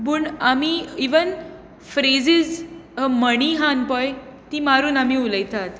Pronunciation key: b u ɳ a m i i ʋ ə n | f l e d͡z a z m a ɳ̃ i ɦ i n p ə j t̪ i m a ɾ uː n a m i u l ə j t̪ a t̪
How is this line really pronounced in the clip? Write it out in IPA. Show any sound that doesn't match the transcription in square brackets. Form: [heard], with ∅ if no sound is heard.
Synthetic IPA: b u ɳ a m i i ʋ ə n | f [ɾ] e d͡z [i] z m [ə] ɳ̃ i ɦ [a] n p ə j t̪ i m a ɾ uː n a m i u l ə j t̪ a t̪

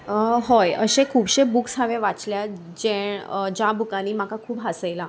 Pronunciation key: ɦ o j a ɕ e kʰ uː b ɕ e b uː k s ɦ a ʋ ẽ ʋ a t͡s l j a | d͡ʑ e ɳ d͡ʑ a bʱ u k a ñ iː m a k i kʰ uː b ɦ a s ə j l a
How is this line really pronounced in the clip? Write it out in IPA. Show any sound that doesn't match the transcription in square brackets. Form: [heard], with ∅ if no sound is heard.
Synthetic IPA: ɦ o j [ə] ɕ e kʰ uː b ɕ e b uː k s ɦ a ʋ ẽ ʋ a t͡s l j a | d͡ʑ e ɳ d͡ʑ a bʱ u k a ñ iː m a k [a] kʰ uː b ɦ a s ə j l a

